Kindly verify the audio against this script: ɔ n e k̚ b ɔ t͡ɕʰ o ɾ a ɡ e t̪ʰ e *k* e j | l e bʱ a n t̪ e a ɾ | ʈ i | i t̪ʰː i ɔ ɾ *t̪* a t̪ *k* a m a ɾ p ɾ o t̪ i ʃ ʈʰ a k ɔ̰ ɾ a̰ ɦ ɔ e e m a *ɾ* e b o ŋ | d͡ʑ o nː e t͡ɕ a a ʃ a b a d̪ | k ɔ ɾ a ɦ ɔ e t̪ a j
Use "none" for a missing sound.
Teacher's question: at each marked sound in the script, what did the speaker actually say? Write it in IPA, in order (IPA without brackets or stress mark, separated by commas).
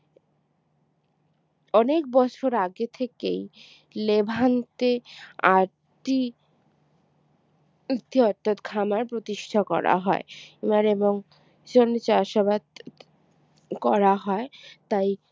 k, t̪ʰ, kʰ, ɾ